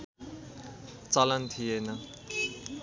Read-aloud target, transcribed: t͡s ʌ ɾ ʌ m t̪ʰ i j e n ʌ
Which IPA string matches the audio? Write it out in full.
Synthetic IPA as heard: t͡s ʌ l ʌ n t̪ʰ i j e n ʌ